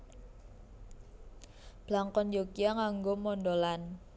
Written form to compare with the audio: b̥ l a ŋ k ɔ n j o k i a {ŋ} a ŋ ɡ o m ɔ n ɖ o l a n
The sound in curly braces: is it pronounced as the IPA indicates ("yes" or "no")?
yes